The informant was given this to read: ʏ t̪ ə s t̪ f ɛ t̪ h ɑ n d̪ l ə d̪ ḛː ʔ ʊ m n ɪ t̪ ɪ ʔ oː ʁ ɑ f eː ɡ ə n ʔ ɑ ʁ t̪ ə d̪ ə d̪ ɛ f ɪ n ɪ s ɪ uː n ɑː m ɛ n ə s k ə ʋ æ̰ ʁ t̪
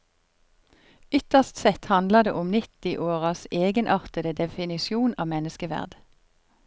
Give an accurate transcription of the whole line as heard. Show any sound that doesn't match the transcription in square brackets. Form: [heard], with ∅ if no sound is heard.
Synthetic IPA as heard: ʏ t̪ ə s t̪ [s] ɛ t̪ h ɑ n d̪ l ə d̪ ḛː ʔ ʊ m n ɪ t̪ ɪ ʔ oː ʁ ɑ [s] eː ɡ ə n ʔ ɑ ʁ t̪ ə d̪ ə d̪ ɛ f ɪ n ɪ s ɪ uː n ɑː m ɛ n ə s k ə ʋ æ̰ ʁ [d̪]